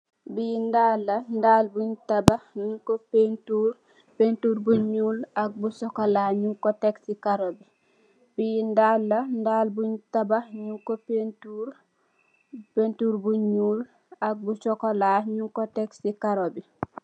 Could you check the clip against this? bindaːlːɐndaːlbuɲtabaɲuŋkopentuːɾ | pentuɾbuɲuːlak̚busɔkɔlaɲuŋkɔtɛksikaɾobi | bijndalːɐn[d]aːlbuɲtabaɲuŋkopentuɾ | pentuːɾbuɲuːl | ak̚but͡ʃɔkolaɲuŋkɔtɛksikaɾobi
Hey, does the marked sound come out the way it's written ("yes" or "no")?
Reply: yes